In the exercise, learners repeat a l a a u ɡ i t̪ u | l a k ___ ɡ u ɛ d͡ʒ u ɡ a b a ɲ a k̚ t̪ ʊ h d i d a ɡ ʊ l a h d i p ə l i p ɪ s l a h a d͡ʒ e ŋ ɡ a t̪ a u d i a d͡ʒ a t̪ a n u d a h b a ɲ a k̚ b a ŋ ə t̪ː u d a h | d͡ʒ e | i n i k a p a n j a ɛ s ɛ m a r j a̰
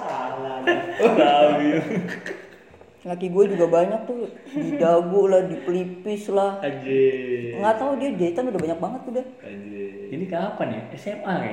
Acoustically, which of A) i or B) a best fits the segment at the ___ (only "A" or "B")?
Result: A